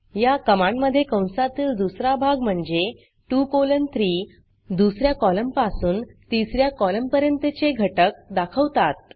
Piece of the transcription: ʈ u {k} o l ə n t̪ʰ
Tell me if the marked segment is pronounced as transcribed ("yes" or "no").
yes